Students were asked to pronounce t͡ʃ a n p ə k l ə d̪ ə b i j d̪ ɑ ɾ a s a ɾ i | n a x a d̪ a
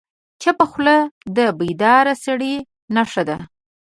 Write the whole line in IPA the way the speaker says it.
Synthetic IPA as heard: t͡ʃ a p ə x l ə d̪ ə b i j d̪ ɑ ɾ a s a ɽ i | n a ʂ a d̪ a